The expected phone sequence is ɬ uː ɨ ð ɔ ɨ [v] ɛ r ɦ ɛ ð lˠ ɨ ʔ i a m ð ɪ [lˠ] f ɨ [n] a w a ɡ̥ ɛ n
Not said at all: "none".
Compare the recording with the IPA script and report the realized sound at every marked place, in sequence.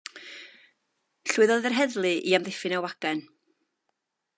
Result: ð, none, n

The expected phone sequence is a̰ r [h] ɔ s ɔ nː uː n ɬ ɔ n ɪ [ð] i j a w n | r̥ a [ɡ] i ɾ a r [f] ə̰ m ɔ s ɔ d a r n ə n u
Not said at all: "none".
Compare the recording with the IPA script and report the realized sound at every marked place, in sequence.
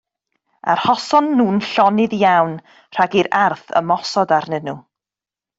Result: h, ð, ɡ, θ

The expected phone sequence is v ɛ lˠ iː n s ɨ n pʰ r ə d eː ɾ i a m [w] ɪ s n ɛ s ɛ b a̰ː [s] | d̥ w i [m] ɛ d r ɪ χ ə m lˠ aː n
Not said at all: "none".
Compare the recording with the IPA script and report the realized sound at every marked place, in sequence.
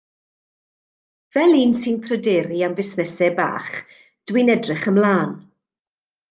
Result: v, χ, n

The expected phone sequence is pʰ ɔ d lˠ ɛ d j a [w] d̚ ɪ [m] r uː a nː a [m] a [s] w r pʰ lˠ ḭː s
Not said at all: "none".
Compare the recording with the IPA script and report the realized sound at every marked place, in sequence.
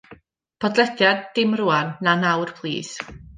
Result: none, m, n, none

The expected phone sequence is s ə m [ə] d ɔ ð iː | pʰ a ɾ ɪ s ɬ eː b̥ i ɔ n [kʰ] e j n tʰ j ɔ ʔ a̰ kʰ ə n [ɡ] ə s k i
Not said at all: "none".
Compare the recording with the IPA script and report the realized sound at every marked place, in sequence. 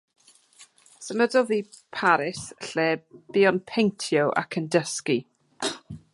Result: ə, pʰ, d

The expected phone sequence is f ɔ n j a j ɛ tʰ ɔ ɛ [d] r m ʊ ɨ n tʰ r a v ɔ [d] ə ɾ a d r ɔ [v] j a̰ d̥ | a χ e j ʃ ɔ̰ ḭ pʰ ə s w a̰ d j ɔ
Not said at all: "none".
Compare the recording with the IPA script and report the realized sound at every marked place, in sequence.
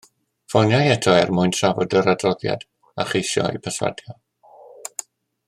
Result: none, d, ð

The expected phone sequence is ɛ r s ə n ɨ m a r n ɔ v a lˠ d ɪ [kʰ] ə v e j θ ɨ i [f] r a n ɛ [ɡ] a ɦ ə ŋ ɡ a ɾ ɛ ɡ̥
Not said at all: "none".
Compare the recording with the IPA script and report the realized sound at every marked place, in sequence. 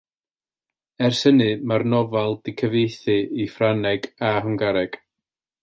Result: kʰ, f, ɡ

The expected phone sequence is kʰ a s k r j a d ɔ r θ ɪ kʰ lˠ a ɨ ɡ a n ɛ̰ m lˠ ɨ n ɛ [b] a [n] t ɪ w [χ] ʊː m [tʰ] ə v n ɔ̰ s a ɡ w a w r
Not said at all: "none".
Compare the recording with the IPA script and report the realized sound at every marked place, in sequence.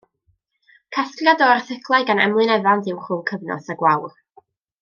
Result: v, n, χ, kʰ

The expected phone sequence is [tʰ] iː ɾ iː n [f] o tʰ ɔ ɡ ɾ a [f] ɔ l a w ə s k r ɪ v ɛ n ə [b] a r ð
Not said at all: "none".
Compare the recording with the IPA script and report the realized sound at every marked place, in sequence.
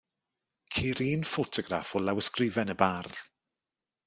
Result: kʰ, f, f, b

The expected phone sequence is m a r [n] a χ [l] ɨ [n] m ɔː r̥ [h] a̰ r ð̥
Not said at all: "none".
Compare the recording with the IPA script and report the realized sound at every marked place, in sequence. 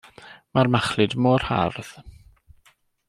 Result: m, l, d, h

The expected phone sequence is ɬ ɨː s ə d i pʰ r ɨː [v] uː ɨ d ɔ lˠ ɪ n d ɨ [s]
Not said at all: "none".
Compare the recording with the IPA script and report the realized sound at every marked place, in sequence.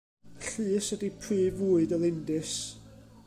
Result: v, s

